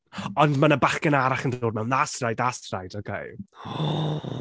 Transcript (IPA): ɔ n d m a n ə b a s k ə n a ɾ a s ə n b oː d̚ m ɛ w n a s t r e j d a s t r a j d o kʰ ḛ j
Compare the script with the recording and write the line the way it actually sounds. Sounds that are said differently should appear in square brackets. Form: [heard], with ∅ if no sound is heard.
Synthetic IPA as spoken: ɔ n d m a n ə b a [χ] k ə n a ɾ a [χ] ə n [d] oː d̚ m ɛ w n a s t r [a] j d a s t r a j d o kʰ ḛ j